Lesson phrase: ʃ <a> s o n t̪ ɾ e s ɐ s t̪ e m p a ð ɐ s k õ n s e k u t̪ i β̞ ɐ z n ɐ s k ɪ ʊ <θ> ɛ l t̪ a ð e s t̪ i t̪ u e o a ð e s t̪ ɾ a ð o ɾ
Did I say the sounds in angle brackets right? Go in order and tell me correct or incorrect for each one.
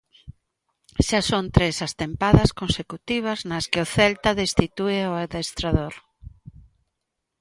correct, correct

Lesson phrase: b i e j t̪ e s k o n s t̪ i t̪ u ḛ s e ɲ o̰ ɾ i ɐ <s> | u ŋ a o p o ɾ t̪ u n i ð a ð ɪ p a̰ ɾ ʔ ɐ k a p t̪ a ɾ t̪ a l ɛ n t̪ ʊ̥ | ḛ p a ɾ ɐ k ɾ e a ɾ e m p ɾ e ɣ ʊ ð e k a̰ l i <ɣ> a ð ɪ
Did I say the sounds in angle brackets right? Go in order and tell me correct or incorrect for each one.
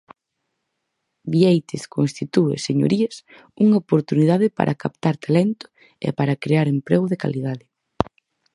correct, incorrect

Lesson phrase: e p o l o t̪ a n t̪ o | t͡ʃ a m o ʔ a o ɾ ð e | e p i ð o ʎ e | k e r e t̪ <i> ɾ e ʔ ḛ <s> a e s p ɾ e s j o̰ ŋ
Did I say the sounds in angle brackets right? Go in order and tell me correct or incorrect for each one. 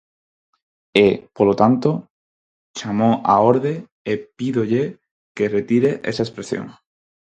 correct, correct

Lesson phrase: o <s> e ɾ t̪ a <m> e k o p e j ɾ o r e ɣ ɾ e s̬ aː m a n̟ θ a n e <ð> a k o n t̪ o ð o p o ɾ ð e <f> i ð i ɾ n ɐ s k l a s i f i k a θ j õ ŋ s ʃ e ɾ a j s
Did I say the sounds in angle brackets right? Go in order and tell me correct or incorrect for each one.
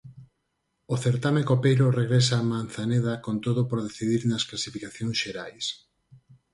incorrect, correct, correct, incorrect

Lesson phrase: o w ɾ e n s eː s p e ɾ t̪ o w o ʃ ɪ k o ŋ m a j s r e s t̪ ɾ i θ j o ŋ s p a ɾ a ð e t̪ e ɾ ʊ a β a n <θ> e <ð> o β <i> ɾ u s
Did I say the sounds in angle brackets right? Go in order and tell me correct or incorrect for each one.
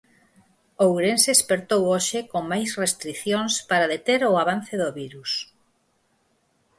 correct, correct, correct

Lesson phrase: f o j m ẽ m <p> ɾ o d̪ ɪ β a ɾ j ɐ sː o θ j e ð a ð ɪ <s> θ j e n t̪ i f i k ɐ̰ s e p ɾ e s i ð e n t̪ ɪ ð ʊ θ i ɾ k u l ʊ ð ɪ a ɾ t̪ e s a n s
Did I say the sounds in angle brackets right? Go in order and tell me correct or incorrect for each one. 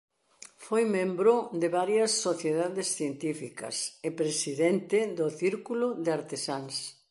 incorrect, correct

